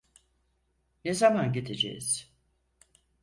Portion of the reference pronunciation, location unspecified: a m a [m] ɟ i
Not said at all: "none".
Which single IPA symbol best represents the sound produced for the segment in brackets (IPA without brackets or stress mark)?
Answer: n